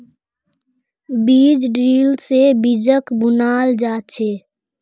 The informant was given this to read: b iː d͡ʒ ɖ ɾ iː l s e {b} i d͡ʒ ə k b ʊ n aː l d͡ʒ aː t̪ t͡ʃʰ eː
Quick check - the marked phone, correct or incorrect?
correct